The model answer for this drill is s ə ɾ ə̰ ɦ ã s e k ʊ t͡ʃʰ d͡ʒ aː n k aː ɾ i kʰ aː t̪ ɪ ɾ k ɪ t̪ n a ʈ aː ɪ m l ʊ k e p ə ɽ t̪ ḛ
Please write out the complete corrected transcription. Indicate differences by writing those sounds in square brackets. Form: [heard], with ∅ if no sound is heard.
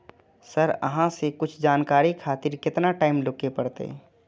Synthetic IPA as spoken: s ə ɾ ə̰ ɦ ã s e k ʊ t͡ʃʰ d͡ʒ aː n k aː ɾ i kʰ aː t̪ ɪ ɾ k ɪ t̪ n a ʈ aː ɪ m l ʊ k e p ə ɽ t̪ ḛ